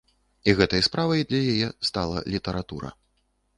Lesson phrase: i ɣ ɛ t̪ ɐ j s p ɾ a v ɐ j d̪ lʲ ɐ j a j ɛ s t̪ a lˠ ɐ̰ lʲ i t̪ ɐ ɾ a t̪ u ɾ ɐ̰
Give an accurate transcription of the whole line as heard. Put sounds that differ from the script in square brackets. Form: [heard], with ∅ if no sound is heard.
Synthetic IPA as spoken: i ɣ ɛ t̪ ɐ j s p ɾ a v ɐ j d̪ lʲ ɐ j a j ɛ s t̪ a lˠ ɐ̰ lʲ i t̪ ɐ ɾ a t̪ u ɾ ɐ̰